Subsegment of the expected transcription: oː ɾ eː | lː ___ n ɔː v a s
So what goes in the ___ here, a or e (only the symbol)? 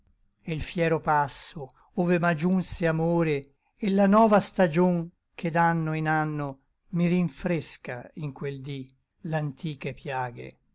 a